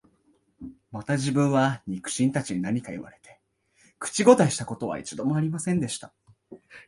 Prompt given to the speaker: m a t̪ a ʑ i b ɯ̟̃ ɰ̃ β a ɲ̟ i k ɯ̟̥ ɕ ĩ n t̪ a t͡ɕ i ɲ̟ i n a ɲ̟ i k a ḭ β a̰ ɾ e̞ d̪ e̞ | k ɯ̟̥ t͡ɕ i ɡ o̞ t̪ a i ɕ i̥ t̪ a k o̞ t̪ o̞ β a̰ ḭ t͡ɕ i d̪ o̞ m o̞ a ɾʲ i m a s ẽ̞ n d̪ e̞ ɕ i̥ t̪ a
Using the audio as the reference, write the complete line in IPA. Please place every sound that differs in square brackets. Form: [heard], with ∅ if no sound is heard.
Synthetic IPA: m a t̪ a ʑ i b ɯ̟̃ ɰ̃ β a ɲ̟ i k ɯ̟̥ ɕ ĩ n t̪ a t͡ɕ i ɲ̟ i n a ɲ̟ i k a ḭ β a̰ ɾ e̞ [t̪] e̞ | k ɯ̟̥ t͡ɕ i ɡ o̞ t̪ a i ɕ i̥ t̪ a k o̞ t̪ o̞ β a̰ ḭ t͡ɕ i d̪ o̞ m o̞ a ɾʲ i m a s ẽ̞ n d̪ e̞ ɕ i̥ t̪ a